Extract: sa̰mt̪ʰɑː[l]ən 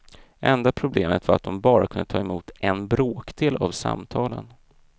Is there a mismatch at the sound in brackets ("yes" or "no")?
no